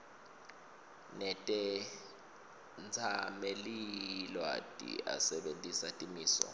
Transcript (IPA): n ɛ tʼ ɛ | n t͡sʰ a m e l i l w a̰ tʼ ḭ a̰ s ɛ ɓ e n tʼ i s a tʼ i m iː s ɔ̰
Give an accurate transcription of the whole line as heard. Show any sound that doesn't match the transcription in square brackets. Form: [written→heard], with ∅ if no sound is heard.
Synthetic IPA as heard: n ɛ tʼ ɛ | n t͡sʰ a m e l i l w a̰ tʼ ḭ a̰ s ɛ ɓ e n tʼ i s a tʼ i m iː s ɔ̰